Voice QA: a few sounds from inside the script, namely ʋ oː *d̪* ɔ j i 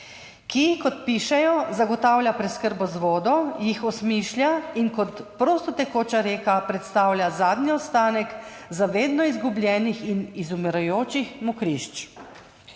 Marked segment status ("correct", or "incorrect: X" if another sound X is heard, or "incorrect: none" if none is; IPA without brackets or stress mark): correct